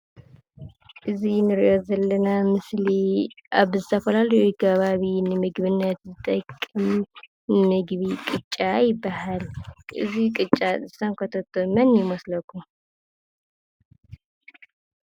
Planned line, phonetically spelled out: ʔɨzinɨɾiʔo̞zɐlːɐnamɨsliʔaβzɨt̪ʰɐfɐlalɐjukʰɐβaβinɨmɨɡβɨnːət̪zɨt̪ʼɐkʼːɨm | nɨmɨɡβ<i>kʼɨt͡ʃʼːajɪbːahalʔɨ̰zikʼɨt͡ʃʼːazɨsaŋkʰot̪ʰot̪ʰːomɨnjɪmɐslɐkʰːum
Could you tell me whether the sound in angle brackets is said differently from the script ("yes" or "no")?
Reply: no